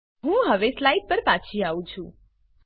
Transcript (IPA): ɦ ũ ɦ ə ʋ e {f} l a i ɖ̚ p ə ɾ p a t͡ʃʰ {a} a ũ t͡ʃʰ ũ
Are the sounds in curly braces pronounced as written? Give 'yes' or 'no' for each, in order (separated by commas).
no, no